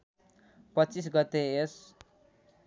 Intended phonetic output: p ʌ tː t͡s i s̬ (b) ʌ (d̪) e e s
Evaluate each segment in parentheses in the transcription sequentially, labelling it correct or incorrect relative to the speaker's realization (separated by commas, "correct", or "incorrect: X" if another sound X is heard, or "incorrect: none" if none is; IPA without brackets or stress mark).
incorrect: ɡ, incorrect: t̪